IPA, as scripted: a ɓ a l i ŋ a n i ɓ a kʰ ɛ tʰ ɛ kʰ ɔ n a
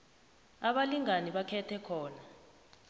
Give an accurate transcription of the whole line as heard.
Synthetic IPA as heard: a ɓ a l i ŋ a n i ɓ a kʰ ɛ tʰ ɛ kʰ ɔː n a

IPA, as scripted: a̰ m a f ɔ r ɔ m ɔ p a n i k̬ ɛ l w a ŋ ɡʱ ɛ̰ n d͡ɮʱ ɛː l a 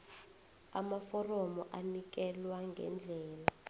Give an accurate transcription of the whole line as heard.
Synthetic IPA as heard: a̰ m a f ɔ r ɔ m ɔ ʔ a n i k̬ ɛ l w a ŋ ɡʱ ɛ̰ n d͡ɮʱ ɛː l a

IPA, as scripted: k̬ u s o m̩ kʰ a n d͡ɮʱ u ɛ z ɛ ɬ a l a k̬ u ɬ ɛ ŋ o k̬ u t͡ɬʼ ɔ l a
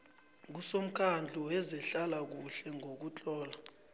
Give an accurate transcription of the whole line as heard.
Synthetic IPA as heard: k̬ u s o m̩ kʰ a n d͡ɮʱ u ɛ z ɛ ɬ a l a k̬ u ɬ ɛ ŋ o k̬ u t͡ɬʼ ɔː l a

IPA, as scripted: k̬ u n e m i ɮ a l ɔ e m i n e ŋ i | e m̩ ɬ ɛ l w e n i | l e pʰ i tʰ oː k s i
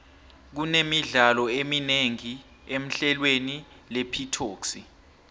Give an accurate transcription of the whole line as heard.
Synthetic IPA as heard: k̬ u n e m i ɮ a l ɔ e m i n e ŋ i | e m̩ ɬ ɛ l w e n i | l e pʰ i tʰ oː k s i

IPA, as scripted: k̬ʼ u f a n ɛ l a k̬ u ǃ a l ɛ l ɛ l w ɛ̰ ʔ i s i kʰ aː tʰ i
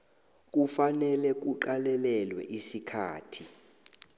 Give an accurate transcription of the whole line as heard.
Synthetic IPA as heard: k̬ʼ u f a n ɛ l ɛ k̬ u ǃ a l ɛ l ɛ l w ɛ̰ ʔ i s i kʰ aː tʰ i

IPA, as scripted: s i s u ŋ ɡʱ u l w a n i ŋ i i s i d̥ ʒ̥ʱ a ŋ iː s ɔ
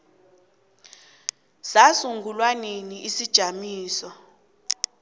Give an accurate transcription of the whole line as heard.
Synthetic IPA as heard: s a s u ŋ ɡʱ u l w a n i n i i s i d̥ ʒ̥ʱ a m iː s ɔ

